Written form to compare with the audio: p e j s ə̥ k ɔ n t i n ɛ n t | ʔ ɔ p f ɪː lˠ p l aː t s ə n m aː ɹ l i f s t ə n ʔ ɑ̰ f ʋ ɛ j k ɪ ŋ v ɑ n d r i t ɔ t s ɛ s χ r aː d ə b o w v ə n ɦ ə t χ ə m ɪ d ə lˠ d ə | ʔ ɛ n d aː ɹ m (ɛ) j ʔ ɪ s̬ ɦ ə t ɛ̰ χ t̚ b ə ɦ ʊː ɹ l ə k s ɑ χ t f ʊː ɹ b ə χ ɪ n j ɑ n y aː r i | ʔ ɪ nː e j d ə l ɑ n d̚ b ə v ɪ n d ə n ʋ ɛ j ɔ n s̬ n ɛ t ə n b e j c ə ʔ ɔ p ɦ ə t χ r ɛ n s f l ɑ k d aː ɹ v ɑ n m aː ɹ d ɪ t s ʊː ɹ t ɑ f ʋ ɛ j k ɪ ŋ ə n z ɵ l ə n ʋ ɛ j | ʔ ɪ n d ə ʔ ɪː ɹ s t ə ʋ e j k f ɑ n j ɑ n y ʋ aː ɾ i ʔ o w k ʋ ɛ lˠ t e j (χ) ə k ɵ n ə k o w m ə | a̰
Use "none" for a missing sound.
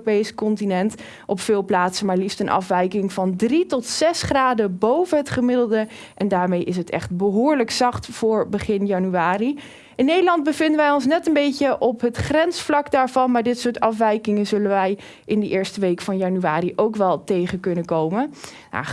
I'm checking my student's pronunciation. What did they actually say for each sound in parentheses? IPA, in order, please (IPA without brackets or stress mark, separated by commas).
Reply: e, χ